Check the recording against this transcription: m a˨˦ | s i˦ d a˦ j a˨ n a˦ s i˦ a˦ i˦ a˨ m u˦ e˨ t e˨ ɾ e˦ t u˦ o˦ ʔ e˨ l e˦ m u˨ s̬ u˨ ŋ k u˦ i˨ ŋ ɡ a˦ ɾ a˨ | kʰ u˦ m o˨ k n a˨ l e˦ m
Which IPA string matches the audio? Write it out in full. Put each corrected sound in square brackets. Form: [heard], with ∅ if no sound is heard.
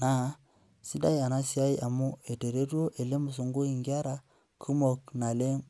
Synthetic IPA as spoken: [n] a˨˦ | s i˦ d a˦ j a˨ n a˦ s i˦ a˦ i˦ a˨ m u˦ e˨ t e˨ ɾ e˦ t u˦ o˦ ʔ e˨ l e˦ m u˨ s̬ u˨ ŋ [ɡ] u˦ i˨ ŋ ɡ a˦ ɾ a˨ | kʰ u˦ m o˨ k n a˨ l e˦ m